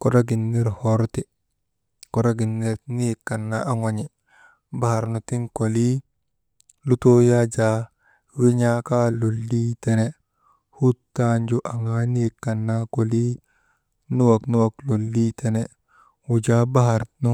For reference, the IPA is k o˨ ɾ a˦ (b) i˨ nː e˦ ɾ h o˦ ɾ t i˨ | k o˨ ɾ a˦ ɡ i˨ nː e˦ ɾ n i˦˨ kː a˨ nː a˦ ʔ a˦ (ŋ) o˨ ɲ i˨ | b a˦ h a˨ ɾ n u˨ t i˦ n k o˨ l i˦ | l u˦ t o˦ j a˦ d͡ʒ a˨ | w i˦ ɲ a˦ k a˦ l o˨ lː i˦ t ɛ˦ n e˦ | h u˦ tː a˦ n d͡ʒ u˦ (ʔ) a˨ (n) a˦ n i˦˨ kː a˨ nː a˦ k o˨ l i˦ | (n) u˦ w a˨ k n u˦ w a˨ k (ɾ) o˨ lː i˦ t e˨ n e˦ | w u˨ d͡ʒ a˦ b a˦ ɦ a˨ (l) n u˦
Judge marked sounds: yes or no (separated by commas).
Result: no, yes, yes, no, yes, no, no